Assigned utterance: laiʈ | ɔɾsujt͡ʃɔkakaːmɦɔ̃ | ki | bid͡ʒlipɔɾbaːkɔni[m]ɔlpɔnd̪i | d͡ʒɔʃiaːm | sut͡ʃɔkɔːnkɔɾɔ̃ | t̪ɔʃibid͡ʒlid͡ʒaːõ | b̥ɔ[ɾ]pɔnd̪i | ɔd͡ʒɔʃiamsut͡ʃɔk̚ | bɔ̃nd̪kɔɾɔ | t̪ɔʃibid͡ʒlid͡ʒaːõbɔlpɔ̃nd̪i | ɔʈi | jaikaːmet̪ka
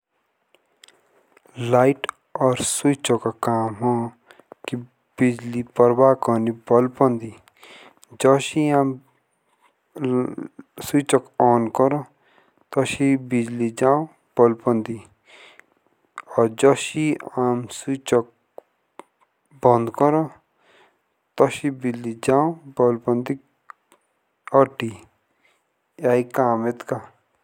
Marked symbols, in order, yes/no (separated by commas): no, no